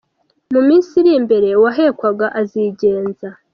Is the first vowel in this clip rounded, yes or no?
yes